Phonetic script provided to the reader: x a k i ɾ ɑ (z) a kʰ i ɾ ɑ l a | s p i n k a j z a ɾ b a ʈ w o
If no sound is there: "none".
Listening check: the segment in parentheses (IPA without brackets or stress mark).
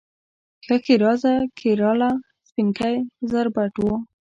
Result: z